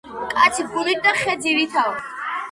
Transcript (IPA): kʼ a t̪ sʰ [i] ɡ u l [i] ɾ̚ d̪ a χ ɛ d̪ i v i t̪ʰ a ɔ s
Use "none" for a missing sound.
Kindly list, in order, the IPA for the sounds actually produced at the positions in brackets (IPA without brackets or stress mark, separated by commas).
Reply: i, i